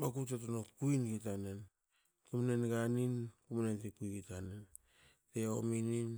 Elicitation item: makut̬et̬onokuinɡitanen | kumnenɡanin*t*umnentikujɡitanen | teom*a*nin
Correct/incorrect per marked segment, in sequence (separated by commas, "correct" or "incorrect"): incorrect, incorrect